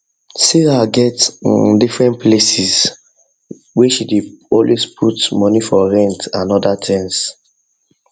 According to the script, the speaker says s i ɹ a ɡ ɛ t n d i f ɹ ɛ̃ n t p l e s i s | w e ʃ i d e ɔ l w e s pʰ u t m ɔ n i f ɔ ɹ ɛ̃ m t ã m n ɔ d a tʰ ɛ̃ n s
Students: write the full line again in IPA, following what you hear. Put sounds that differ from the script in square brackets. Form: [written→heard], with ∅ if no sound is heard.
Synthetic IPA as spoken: s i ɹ a ɡ ɛ t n d i f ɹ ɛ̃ n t p l e s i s | w e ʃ i d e ɔ l w e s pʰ u t m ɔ n i f ɔ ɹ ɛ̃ [m→n] t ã [m→∅] n ɔ d a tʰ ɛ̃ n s